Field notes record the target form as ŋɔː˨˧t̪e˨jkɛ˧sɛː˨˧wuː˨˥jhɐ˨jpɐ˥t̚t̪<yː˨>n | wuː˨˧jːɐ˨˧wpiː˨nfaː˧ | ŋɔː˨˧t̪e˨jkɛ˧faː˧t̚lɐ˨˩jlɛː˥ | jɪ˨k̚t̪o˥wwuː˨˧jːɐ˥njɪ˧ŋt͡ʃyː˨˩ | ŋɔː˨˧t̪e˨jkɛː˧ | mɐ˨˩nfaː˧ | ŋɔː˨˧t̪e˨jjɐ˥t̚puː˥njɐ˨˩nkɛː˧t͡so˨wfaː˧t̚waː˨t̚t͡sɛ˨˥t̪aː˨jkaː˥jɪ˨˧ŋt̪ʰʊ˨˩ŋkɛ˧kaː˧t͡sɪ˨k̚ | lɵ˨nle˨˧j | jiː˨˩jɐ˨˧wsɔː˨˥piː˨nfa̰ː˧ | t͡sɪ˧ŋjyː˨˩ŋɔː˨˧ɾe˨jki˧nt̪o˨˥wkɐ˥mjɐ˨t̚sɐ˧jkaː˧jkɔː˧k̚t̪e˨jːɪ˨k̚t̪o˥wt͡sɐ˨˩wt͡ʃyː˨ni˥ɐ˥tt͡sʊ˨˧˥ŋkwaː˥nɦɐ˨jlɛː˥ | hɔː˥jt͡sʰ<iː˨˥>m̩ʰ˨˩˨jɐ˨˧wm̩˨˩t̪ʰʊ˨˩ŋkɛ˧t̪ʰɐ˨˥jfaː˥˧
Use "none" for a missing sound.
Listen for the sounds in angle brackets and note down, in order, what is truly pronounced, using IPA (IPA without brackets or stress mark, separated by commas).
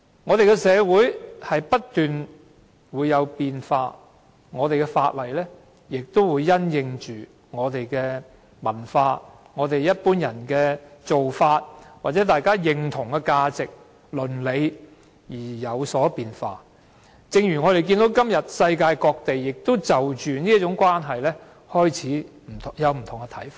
yː˨, iː˨˥